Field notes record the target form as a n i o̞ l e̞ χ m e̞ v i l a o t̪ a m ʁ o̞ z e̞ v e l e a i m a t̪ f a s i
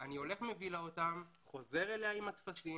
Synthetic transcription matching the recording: a n i o̞ l e̞ χ m e̞ v i l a o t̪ a m χ o̞ z e̞ ʁ e l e a i m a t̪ f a s i